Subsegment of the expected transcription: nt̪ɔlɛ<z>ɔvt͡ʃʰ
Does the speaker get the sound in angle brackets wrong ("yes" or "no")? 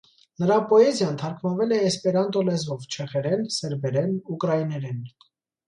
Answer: no